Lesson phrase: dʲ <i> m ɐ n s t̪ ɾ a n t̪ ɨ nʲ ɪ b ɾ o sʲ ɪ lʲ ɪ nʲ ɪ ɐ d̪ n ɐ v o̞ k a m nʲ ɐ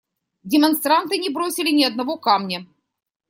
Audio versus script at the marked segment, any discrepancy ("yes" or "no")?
yes